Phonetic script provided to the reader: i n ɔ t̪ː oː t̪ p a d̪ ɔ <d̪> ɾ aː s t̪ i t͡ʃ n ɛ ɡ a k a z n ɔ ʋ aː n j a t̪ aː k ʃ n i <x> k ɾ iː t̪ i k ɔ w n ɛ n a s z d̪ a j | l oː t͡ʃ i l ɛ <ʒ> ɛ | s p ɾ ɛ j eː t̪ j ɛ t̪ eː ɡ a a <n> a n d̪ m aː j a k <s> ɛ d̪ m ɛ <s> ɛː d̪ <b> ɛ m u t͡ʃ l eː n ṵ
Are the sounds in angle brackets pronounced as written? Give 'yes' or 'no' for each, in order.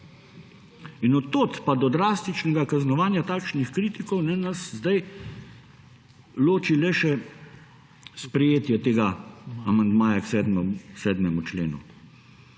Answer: yes, yes, no, no, yes, yes, no

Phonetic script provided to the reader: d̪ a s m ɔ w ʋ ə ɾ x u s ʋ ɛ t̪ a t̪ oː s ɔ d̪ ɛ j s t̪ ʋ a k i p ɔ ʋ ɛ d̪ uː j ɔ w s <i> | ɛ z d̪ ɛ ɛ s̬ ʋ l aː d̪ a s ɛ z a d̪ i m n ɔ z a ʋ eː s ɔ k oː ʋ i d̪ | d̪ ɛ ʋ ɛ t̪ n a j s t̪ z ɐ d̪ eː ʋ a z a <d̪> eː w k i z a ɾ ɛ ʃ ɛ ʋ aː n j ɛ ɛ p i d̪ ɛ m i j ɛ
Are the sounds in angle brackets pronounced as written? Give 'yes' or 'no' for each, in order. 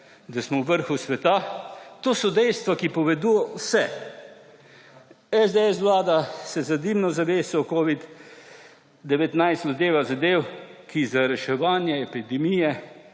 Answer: no, yes

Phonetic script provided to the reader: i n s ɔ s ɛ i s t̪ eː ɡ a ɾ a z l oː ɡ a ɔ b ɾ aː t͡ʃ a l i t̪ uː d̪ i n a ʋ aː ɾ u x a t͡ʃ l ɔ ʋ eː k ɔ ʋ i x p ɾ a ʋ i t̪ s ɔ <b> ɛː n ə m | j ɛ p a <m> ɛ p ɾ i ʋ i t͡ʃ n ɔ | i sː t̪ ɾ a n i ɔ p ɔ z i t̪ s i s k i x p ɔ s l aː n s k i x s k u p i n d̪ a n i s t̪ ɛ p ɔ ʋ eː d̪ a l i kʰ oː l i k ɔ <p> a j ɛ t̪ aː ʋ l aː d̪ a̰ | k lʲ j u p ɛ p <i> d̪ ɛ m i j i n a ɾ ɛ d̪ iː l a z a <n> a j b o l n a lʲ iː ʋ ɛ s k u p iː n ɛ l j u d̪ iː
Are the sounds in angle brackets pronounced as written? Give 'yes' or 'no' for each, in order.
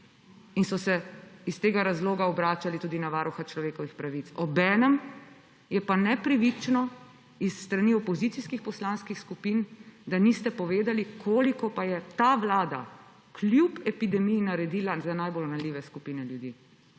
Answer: yes, no, yes, yes, yes

